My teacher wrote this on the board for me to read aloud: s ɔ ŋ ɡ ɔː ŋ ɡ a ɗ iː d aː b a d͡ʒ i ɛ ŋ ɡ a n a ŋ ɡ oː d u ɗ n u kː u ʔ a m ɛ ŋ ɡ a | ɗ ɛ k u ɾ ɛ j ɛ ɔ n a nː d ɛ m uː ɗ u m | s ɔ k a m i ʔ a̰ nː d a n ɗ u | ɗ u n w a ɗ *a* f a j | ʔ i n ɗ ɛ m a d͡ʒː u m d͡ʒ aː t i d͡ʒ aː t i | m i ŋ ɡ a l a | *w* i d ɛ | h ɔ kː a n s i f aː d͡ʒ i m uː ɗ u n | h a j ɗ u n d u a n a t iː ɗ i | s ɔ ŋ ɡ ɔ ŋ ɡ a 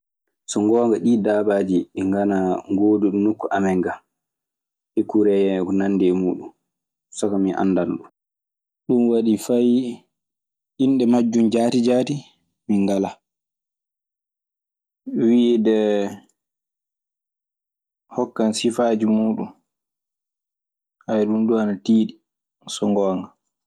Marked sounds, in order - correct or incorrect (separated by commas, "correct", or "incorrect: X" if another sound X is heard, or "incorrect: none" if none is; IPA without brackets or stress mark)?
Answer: incorrect: i, correct